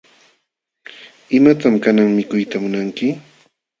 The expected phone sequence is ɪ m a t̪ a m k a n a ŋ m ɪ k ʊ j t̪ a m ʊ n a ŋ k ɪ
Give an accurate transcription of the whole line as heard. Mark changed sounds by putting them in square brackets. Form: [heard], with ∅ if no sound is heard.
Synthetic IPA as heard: ɪ m a t̪ a m k a n a ŋ m ɪ k ʊ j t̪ a m ʊ n a ŋ k ɪ